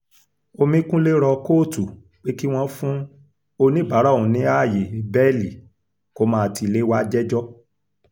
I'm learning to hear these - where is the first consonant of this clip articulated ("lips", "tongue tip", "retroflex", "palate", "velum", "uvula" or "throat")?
lips